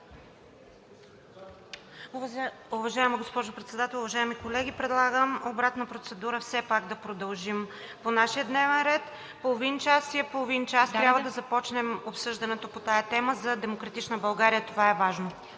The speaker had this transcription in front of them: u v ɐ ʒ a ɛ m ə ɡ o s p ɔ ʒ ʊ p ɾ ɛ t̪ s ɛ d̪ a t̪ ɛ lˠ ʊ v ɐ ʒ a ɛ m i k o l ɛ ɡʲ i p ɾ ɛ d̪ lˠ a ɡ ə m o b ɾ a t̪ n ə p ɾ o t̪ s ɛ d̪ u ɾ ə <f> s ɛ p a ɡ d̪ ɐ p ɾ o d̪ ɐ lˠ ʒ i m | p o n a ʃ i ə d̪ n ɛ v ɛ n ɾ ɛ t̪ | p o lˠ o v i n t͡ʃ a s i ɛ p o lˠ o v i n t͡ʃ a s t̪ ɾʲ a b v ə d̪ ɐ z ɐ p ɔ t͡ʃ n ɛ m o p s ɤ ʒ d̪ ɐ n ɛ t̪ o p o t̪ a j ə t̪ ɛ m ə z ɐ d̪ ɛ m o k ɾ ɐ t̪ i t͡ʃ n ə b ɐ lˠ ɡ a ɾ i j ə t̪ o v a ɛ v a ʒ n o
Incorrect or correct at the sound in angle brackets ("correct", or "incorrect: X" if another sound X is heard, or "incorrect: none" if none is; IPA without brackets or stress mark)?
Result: correct